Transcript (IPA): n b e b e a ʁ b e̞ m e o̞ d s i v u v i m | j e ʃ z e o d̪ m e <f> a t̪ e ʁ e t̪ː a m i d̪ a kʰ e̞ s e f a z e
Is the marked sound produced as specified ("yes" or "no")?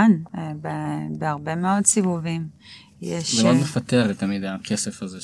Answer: yes